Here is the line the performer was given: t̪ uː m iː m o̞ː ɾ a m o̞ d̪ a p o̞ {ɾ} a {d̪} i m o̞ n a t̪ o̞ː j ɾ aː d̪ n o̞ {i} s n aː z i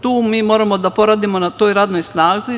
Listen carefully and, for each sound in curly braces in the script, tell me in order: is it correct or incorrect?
correct, correct, incorrect: j

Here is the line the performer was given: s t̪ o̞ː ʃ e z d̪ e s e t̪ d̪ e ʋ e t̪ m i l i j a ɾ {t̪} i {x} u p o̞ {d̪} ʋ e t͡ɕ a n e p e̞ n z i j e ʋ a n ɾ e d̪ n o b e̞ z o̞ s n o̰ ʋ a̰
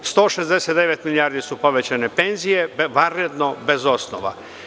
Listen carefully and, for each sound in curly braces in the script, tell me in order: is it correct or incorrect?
incorrect: d̪, incorrect: s, incorrect: none

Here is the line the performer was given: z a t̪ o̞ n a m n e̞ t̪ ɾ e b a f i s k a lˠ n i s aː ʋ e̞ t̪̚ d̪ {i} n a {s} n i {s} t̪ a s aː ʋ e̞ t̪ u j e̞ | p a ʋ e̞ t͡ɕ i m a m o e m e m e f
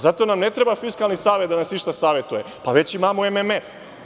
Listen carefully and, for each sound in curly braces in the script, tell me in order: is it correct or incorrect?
incorrect: a, correct, incorrect: ʃ

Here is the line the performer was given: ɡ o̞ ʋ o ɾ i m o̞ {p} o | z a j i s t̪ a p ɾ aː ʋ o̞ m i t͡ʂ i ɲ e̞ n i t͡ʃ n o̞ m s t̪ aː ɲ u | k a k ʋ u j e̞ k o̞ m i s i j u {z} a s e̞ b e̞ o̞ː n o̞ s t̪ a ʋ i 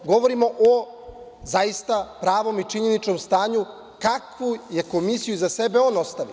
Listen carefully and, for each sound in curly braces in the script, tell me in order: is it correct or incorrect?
incorrect: ʔ, correct

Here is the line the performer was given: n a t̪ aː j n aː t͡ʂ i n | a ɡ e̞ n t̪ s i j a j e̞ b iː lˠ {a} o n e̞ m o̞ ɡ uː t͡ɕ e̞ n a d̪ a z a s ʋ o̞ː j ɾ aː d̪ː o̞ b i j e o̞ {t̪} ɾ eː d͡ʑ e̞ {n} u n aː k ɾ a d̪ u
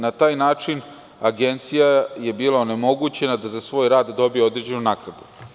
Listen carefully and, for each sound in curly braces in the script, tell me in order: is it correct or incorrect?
correct, incorrect: d̪, correct

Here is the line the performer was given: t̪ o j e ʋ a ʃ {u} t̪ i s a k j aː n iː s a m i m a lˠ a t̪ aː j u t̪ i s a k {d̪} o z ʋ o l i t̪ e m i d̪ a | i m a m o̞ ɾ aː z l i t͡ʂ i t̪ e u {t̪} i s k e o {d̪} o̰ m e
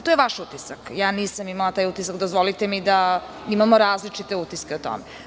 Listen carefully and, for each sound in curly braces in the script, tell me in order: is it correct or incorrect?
correct, correct, correct, incorrect: t̪

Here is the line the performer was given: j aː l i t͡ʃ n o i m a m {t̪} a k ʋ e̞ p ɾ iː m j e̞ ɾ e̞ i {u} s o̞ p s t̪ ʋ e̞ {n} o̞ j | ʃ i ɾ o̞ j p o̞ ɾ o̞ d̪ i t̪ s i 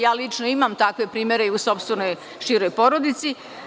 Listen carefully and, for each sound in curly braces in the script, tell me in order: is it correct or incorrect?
correct, correct, correct

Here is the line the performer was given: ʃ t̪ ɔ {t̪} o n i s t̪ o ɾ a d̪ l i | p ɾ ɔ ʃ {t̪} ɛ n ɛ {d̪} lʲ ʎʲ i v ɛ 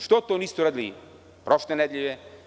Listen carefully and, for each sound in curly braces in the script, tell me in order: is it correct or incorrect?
correct, correct, correct

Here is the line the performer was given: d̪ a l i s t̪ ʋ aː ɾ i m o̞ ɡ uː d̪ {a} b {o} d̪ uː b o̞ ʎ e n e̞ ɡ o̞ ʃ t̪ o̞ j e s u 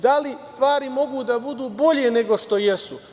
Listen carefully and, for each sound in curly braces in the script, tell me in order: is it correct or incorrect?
correct, incorrect: u

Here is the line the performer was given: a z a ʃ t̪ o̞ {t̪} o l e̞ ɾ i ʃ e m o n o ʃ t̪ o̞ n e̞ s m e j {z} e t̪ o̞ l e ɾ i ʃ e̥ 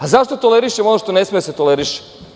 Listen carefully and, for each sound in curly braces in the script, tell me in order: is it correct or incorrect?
correct, incorrect: s

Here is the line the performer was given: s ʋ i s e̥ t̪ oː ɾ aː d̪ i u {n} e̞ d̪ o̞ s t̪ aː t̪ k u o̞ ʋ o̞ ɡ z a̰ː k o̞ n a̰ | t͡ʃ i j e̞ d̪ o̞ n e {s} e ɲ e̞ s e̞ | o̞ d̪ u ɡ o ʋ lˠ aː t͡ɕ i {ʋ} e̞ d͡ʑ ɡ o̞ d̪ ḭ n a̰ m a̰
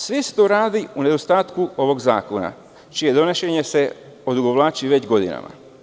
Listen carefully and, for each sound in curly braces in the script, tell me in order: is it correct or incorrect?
correct, incorrect: ʃ, correct

